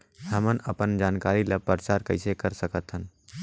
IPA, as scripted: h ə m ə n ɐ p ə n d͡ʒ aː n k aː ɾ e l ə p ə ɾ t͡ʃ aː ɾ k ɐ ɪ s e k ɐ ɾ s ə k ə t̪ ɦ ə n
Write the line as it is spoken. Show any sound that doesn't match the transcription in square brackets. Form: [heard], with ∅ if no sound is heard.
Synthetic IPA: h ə m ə n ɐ p ə n d͡ʒ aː n k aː ɾ [i] l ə p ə ɾ t͡ʃ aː ɾ k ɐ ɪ s e k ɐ ɾ s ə k ə t̪ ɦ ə n